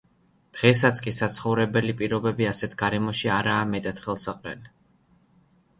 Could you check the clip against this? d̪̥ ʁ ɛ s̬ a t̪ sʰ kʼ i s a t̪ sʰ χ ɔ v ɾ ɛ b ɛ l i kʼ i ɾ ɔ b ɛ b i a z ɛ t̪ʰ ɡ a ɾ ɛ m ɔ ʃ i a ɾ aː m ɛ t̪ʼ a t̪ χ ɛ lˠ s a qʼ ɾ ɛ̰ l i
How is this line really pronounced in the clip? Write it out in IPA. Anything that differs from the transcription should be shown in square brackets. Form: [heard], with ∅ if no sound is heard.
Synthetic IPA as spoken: d̪̥ ʁ ɛ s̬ a t̪ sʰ kʼ i s a t̪ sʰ χ ɔ v ɾ ɛ b ɛ l i [pʼ] i ɾ ɔ b ɛ b i a [s] ɛ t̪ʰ ɡ a ɾ ɛ m ɔ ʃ i a ɾ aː m ɛ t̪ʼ a t̪ χ ɛ lˠ s a qʼ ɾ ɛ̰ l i